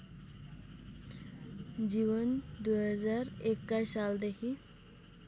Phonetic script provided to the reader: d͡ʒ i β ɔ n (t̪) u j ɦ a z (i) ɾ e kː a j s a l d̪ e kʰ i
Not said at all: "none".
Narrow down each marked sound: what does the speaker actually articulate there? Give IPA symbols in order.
d̪, a

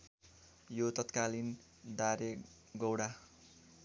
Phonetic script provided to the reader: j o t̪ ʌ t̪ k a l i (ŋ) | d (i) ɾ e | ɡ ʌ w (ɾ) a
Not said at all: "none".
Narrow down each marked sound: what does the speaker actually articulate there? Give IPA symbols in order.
n, a, ɽ

